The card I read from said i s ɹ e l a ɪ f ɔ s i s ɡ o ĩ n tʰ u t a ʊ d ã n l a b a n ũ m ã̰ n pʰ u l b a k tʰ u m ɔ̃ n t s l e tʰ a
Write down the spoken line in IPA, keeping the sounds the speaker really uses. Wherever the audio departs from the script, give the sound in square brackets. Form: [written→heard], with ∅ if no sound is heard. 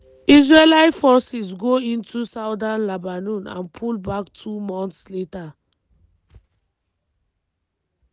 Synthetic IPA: i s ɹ e l a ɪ f ɔ s i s ɡ o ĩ n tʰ u [t→s] a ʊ d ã n l a b a n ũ [m→n] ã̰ n pʰ u l b a k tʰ u m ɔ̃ n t s l e [tʰ→t] a